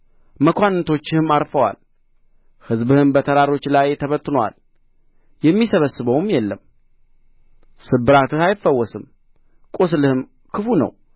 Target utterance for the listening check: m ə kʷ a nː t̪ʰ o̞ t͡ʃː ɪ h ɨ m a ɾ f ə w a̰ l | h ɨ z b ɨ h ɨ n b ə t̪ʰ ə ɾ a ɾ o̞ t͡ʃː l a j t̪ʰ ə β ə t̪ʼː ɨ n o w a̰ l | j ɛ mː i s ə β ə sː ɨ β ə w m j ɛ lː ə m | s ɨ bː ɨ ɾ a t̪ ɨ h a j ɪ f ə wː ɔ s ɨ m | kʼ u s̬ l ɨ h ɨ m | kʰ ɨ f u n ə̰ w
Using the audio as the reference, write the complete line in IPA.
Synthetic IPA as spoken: m ə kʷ a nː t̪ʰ o̞ t͡ʃː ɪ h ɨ m a ɾ f ə w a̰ l | h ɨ z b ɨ h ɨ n b ə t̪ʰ ə ɾ a ɾ o̞ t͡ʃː l a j t̪ʰ ə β ə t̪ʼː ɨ n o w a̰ l | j ɛ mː i s ə β ə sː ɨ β ə w m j ɛ lː ə m | s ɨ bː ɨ ɾ a t̪ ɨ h a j ɪ f ə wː ɔ s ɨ m | kʼ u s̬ l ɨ h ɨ m | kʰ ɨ f u n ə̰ w

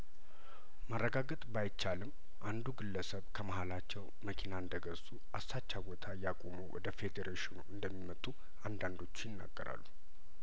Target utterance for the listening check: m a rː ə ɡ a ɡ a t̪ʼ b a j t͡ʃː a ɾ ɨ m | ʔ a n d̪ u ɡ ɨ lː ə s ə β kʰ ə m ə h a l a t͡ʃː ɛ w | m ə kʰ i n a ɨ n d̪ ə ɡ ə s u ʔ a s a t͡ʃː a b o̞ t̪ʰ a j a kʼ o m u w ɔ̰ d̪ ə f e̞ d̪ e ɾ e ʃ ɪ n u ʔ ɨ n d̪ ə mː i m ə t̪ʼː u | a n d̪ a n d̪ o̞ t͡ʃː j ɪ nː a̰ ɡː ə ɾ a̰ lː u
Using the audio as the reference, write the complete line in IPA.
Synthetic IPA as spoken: m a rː ə ɡ a ɡ ə t̪ʼ b a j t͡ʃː a l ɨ m | ʔ a n d̪ u ɡ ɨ lː ə s ə β kʰ ə m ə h a l a t͡ʃː ɛ w | m ə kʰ i n a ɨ n d̪ ə ɡ ə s u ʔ a s a t͡ʃː a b o̞ t̪ʰ a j a kʼ o m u w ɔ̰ d̪ ə f e̞ d̪ e ɾ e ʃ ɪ n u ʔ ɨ n d̪ ə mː i m ə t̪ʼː u | a n d̪ a n d̪ o̞ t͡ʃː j ɪ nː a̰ ɡː ə ɾ a̰ lː u

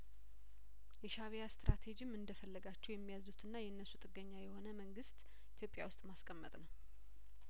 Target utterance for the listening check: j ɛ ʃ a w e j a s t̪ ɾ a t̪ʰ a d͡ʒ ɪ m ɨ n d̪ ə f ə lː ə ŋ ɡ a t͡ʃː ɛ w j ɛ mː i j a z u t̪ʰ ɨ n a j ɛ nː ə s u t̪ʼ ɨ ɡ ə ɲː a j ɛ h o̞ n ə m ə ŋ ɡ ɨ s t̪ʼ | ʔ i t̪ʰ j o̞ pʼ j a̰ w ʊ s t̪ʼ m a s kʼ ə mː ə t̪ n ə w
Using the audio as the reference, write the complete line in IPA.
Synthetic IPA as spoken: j ɛ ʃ a β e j a s t̪ ɾ a t̪ʰ e d͡ʒ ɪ m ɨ n d̪ ə f ə lː ə ɡ a t͡ʃː ɛ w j ɛ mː i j a z u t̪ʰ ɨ nː a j ɛ nː ə s u t̪ʼ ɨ ɡ ə ɲː a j ɛ h o̞ n ə m ə ŋ ɡ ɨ s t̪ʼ | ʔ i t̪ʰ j o̞ pʼ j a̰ w ʊ s t̪ʼ m a s kʼ ə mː ə t̪ʼ n ə w

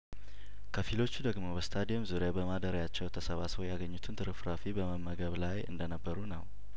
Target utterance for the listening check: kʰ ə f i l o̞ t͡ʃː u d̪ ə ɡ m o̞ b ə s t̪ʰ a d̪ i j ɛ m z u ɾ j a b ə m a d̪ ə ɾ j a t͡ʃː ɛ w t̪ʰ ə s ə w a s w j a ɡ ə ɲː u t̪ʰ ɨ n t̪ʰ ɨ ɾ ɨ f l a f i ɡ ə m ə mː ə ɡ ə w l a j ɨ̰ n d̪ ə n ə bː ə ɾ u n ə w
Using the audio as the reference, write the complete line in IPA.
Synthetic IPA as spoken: kʰ ə f i l o̞ t͡ʃː u d̪ ə ɡ m o̞ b ə s t̪ʰ a d̪ i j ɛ m z u ɾ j a b ə m a d̪ ə ɾ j a t͡ʃː ɛ w t̪ʰ ə s ə β a s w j a ɡ ə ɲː u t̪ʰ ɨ n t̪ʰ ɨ ɾ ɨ f ɾ a f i b ə m ə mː ə ɡ ə β l a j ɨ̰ n d̪ ə n ə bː ə ɾ u n ə w

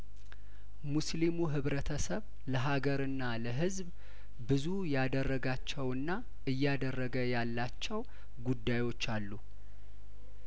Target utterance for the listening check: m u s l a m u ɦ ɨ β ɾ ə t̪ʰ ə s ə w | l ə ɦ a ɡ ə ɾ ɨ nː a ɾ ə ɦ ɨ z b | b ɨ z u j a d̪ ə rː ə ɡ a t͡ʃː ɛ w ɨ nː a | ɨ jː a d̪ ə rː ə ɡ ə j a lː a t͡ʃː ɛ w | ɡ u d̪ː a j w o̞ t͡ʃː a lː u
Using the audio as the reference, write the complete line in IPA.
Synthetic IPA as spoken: m u s l i m u ɦ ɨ β ɾ ə t̪ʰ ə s ə β | l ə ɦ a ɡ ə ɾ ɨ nː a l ə ɦ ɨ z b | b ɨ z u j a d̪ ə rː ə ɡ a t͡ʃː ɛ w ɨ nː a | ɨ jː a d̪ ə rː ə ɡ ə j a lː a t͡ʃː ɛ w | ɡ u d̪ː a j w o̞ t͡ʃː a lː u

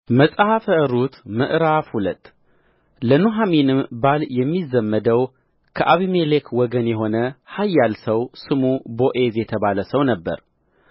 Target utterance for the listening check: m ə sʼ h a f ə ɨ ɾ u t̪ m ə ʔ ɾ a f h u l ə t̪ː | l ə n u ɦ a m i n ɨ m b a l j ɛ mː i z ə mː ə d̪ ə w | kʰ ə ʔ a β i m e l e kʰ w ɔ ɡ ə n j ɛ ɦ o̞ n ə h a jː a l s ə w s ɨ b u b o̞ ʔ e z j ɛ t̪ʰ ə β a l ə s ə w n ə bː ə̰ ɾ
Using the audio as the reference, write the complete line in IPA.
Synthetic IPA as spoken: m ə sʼ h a f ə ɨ ɾ u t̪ m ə ʔ ɾ a f h u l ə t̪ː | l ə n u ɦ a m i n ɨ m b a l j ɛ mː i z ə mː ə d̪ ə w | kʰ ə ʔ a β i m e l e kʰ w ɔ ɡ ə n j ɛ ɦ o̞ n ə h a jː a l s ə w s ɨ m u b o̞ ʔ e z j ɛ t̪ʰ ə β a l ə s ə w n ə bː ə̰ ɾ

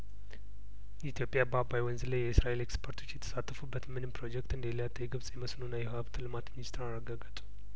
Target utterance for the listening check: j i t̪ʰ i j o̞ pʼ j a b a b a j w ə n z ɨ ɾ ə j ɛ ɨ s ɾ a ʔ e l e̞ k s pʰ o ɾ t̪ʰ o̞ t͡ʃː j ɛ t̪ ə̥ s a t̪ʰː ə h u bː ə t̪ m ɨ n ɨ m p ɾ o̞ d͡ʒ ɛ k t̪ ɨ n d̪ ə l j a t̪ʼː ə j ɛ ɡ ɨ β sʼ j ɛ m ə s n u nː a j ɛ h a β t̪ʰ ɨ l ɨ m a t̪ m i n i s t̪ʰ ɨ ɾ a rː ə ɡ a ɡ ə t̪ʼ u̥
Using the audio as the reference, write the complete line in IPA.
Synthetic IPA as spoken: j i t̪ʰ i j o̞ pʼ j a b a b a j w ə n z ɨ l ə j ɛ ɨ s ɾ a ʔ e l e̞ k s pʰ o ɾ t̪ʰ o̞ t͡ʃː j ɛ t̪ʰ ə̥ s a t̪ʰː ə f u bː ə t̪ m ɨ n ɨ m p ɾ o̞ d͡ʒ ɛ k t̪ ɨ n d̪ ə l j a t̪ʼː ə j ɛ ɡ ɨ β sʼ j ɛ m ə s n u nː a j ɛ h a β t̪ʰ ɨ l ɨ m a t̪ m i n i s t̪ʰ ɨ ɾ a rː ə ɡ a ɡ ə t̪ʼ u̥

